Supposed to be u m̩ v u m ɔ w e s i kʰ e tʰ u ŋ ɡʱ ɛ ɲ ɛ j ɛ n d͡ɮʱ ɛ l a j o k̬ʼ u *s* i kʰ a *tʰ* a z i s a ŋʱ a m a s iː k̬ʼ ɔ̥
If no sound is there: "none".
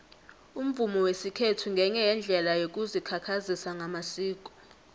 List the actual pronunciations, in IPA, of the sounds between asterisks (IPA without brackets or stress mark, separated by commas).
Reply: z, kʰ